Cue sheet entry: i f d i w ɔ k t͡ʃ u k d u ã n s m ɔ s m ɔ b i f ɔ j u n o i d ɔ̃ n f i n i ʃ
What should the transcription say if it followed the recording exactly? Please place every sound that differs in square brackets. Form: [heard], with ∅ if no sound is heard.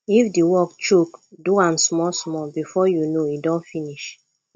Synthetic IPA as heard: i f d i w ɔ k t͡ʃ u k d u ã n s m ɔ s m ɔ b i f ɔ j u n o i d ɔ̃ n f i n i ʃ